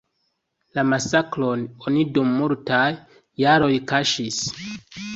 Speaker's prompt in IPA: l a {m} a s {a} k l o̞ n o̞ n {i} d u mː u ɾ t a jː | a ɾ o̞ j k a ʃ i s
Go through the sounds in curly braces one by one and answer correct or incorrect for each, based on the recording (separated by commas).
correct, correct, correct